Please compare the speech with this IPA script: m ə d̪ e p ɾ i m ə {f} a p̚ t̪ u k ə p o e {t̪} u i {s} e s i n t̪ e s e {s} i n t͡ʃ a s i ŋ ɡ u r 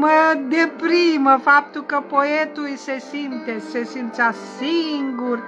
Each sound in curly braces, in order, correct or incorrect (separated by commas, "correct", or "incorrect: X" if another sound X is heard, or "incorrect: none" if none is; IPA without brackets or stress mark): correct, correct, correct, correct